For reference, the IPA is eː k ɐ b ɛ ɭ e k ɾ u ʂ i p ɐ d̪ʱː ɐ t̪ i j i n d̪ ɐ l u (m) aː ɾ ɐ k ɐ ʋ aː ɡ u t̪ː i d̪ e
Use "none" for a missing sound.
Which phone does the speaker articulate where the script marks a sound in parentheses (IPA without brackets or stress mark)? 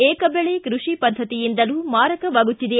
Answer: m